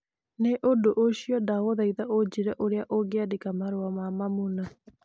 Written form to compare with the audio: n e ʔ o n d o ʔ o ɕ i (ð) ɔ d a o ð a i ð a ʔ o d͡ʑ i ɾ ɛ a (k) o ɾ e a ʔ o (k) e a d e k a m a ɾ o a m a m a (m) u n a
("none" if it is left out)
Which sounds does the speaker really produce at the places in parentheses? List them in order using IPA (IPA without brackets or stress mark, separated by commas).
none, ʔ, ɡ, m